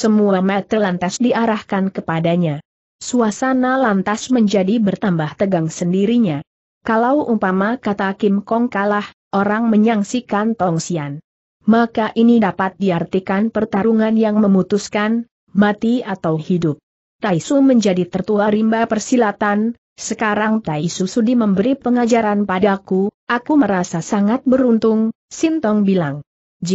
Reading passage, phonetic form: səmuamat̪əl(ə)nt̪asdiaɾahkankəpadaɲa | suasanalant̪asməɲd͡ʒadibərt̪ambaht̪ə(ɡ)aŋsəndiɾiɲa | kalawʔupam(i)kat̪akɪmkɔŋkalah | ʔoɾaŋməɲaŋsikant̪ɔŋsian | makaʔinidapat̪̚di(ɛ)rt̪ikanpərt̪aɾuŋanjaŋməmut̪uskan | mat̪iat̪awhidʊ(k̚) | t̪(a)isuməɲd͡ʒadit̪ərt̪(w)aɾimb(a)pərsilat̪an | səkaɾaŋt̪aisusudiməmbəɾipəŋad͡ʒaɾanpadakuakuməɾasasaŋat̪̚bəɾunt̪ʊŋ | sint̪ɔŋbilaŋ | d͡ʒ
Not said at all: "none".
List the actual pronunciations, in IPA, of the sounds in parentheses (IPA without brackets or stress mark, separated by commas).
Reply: a, ɡ, a, a, p̚, a, u, a